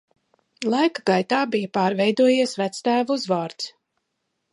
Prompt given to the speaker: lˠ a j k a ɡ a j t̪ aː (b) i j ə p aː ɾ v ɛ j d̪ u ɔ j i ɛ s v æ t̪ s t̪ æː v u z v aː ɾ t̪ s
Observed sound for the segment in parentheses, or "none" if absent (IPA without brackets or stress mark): b